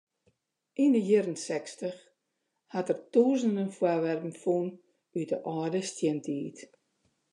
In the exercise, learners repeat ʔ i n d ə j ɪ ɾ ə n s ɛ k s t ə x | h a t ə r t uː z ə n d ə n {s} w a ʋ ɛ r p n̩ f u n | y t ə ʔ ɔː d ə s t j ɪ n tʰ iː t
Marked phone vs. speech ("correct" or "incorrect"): incorrect